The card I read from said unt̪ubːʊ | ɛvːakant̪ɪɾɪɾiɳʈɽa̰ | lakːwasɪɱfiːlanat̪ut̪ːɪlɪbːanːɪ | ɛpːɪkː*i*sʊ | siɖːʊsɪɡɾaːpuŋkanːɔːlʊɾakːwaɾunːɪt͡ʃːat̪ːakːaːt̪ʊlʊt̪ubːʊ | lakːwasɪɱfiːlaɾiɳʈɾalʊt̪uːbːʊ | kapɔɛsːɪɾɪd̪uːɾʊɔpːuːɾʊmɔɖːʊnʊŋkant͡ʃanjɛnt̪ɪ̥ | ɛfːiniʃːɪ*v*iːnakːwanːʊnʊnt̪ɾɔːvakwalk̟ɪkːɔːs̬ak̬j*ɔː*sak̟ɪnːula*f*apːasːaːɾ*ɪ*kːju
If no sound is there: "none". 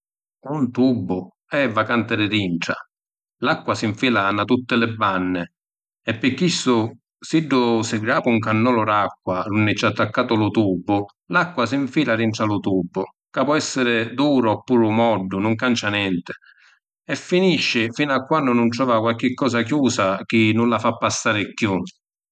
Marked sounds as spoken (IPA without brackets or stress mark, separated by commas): i, f, uː, f, ɪ